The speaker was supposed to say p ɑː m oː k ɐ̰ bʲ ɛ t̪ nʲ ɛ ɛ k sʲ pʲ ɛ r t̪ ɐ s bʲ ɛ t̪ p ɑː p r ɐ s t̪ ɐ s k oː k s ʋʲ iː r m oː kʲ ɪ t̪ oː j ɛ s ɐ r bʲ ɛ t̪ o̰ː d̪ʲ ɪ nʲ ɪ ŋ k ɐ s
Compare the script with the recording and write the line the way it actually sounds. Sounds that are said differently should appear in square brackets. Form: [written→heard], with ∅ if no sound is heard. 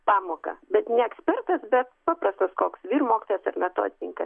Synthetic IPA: p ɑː m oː k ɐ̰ bʲ ɛ t̪ nʲ ɛ ɛ k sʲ pʲ ɛ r t̪ ɐ s bʲ ɛ t̪ p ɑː p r ɐ s t̪ ɐ s k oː k s ʋʲ iː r m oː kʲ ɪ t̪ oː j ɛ s ɐ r [bʲ→mʲ] ɛ t̪ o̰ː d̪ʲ ɪ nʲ ɪ ŋ k ɐ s